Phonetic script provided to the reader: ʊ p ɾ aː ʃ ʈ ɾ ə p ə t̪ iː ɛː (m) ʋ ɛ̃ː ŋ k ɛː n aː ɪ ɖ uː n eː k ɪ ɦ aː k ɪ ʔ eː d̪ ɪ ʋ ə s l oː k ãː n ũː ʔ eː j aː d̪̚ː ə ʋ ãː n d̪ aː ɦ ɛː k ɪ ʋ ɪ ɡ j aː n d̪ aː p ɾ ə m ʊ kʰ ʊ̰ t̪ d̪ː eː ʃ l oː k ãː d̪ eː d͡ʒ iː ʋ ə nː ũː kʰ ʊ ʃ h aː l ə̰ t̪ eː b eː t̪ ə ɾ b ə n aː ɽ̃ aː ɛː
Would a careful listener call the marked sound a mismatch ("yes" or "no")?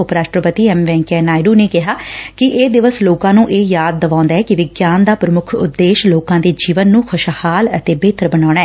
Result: no